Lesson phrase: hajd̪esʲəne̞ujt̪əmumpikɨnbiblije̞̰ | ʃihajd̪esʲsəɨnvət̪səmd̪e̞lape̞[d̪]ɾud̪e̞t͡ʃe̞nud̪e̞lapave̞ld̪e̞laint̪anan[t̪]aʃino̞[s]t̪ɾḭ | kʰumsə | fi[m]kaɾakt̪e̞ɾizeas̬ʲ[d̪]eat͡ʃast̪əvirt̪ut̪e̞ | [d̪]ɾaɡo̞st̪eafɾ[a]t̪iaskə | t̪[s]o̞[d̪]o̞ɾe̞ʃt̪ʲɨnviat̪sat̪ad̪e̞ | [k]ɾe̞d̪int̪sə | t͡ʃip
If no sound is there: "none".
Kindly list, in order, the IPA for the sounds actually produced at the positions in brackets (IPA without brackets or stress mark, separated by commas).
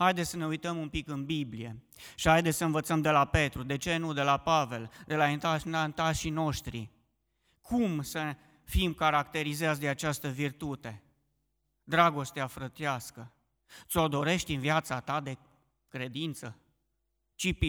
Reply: t̪, t̪, ʃ, m, d̪, d̪, ə, s, d̪, k